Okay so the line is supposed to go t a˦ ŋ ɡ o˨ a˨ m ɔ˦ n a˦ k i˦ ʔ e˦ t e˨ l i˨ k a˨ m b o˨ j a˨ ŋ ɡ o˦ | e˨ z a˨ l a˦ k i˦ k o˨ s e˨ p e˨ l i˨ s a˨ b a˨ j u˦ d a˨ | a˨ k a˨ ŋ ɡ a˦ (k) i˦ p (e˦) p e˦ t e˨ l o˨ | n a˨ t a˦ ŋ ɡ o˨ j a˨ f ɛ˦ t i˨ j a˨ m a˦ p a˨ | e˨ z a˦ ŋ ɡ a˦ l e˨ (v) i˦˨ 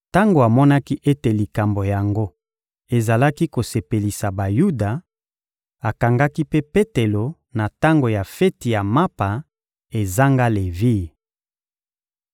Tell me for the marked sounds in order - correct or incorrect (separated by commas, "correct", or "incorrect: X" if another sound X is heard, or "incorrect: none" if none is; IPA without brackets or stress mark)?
correct, correct, correct